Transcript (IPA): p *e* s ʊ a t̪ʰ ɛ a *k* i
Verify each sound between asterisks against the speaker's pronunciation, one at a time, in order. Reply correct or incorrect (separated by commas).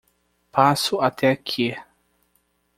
incorrect, incorrect